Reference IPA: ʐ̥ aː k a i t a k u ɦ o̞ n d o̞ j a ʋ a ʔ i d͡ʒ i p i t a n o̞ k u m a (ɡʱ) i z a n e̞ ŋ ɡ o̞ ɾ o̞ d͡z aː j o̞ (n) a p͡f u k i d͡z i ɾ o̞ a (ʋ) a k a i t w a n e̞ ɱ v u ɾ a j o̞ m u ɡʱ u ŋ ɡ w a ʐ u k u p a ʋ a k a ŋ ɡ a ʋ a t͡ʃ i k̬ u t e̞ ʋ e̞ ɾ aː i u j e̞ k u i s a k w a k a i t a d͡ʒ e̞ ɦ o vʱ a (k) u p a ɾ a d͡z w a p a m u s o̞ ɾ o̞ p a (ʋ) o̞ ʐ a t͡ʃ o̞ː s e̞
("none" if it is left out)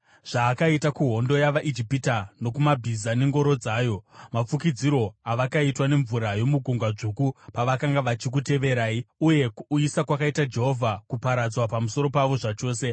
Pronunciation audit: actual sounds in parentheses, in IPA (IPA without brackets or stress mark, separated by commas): bʱ, m, ʋ, k, ʋ